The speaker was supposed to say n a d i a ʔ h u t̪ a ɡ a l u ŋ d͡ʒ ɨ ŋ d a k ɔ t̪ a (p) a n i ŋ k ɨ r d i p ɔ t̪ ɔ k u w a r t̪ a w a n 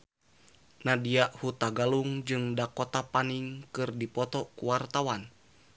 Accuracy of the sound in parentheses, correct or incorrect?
correct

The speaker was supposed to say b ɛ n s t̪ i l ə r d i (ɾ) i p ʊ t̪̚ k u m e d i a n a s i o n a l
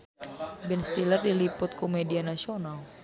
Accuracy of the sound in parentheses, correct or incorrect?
incorrect: l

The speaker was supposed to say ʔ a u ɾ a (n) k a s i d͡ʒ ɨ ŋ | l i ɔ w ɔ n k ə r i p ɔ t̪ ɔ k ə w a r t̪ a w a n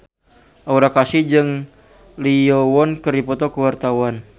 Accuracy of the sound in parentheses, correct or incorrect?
incorrect: none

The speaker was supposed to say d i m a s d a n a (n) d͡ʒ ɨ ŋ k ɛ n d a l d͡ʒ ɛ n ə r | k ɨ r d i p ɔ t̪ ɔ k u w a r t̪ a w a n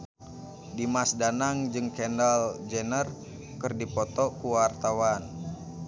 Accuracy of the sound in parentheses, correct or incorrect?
incorrect: ŋ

